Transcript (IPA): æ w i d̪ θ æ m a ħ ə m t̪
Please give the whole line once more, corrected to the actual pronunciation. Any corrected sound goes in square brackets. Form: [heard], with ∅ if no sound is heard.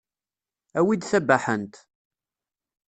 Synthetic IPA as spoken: æ w i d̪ θ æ [b] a ħ ə [n] t̪